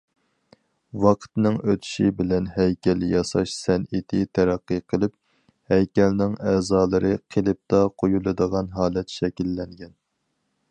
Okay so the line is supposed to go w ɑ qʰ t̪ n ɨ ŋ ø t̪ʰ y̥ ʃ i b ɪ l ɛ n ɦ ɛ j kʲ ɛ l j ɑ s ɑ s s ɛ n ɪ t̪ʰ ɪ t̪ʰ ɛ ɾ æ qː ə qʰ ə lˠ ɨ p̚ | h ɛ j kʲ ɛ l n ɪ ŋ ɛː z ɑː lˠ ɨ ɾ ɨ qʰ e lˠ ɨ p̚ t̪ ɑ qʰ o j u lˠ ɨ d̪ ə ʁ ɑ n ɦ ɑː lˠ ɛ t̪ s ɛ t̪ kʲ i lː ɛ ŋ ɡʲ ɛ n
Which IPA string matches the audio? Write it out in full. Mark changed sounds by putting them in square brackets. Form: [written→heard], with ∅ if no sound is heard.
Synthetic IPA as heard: w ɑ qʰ t̪ n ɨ ŋ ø t̪ʰ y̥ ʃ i b ɪ l ɛ n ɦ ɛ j kʲ ɛ l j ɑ s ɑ [s→ʃ] s ɛ n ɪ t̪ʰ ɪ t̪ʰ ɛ ɾ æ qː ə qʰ ə lˠ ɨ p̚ | h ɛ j kʲ ɛ l n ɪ ŋ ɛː z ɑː lˠ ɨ ɾ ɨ qʰ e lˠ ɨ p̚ t̪ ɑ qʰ o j u lˠ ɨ d̪ ə ʁ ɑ n ɦ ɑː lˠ ɛ t̪ [s→ʃ] ɛ [t̪→∅] kʲ i lː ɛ ŋ ɡʲ ɛ n